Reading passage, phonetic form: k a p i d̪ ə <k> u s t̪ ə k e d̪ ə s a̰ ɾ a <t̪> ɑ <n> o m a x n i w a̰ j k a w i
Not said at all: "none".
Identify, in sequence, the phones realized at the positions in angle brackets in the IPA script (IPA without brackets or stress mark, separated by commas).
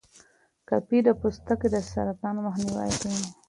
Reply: p, t̪, n